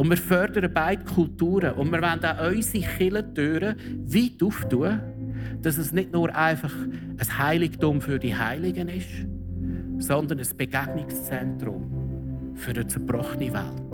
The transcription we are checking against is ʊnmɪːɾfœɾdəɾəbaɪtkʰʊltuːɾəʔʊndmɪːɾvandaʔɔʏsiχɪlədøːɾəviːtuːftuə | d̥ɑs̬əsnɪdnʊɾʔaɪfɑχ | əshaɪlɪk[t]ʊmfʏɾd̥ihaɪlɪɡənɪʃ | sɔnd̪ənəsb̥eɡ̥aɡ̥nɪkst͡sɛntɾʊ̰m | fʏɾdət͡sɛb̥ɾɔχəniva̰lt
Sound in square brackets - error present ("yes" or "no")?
no